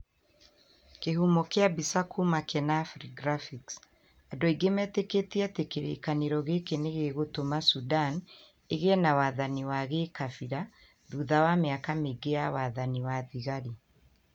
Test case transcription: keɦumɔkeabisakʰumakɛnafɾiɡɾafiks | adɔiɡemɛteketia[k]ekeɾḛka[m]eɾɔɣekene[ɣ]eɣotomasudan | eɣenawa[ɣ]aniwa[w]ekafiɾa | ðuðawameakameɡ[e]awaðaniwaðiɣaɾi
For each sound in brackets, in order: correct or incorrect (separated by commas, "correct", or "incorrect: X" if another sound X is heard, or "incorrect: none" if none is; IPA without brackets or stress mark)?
incorrect: t, incorrect: n, correct, incorrect: ð, incorrect: ɣ, correct